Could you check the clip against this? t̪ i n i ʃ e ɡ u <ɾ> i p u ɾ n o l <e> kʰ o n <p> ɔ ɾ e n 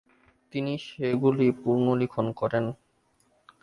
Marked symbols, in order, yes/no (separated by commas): no, no, no